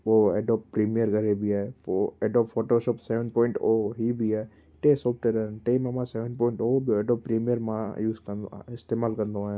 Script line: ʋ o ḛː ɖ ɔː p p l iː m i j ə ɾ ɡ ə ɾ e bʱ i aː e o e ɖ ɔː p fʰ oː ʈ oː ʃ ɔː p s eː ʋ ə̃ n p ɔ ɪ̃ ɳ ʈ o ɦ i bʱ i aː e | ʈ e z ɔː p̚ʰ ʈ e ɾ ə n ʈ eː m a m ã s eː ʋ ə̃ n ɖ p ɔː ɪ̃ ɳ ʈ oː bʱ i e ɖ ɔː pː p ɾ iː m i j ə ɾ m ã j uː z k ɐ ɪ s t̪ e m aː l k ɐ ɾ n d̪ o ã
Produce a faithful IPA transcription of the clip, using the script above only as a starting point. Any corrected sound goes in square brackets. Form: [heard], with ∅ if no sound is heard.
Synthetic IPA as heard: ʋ o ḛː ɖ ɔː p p [ɾ] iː m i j ə ɾ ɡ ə ɾ e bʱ i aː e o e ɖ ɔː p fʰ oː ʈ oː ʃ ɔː p s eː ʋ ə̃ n p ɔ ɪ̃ ɳ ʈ o ɦ i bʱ i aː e | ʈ e [s] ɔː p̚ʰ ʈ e ɾ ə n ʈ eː m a m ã s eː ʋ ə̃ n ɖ p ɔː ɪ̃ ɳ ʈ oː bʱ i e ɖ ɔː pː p ɾ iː m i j ə ɾ m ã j uː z k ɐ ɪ s t̪ e m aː l k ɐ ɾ n d̪ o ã

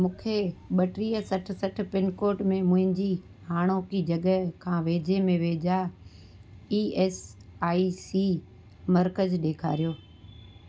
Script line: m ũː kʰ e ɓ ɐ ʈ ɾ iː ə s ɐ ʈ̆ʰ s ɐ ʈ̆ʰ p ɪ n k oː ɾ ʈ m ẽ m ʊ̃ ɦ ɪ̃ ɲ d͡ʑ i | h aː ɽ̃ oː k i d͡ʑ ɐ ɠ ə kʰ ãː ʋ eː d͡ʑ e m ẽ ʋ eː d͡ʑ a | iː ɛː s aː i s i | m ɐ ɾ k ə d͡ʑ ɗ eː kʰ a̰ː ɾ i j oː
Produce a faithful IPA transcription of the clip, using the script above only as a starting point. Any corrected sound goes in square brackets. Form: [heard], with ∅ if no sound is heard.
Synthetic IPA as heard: m ũː kʰ e ɓ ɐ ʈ ɾ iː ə s ɐ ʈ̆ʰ s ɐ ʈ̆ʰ p ɪ n k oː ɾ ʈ m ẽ m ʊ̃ ɦ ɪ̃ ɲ d͡ʑ i | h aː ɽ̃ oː k i d͡ʑ ɐ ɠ ə kʰ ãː ʋ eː d͡ʑ e m ẽ ʋ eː d͡ʑ a | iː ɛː s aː i s i | m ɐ ɾ k ə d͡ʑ ɗ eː kʰ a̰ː ɾ i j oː

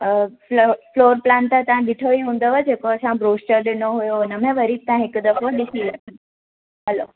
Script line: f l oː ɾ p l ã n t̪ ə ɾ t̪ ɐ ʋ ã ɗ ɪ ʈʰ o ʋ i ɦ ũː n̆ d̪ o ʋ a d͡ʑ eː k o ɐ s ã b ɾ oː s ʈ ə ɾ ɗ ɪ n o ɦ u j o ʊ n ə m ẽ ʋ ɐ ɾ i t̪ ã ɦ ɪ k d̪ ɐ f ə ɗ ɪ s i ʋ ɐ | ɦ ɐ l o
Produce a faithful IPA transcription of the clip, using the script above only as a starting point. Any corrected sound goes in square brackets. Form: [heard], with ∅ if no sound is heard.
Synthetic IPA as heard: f l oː ɾ p l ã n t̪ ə [∅] t̪ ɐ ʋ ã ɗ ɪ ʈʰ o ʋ i ɦ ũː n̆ d̪ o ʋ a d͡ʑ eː k o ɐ s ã b ɾ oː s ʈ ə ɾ ɗ ɪ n o ɦ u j o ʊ n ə m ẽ ʋ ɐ ɾ i t̪ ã ɦ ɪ k d̪ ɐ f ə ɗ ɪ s i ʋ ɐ | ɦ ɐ l o

